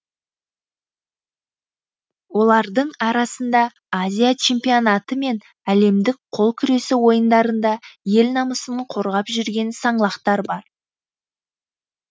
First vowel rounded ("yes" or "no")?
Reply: yes